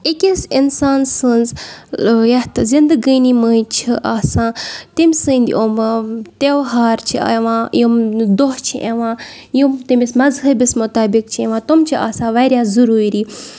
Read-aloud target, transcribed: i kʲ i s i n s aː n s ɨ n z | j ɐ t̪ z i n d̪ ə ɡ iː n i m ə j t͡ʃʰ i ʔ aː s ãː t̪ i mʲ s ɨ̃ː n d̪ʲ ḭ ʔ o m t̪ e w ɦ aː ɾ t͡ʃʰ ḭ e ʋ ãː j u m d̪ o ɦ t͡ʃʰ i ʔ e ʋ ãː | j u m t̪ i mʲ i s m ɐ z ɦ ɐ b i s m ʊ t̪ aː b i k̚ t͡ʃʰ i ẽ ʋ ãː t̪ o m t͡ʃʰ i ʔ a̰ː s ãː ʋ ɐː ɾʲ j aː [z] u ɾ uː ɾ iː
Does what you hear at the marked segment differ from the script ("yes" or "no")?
no